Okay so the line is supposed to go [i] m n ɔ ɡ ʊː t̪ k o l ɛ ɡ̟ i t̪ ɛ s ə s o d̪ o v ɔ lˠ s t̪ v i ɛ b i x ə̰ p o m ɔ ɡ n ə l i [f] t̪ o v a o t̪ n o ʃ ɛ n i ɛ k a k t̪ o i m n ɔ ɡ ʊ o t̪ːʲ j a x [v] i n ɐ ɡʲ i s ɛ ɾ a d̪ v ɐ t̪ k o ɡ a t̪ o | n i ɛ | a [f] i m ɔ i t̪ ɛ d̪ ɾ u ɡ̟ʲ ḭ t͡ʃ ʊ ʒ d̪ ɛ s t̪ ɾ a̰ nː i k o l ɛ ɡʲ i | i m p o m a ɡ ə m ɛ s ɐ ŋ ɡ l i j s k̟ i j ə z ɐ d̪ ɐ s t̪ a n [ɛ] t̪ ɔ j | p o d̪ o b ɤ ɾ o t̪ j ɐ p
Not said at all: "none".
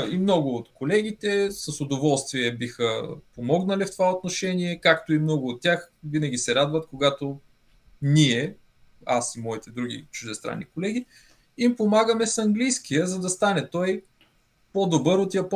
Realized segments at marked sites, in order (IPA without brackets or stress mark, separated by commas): i, f, v, s, ɛ